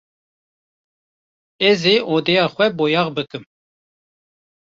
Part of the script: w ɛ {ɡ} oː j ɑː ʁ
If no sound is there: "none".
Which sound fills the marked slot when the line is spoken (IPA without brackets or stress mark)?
b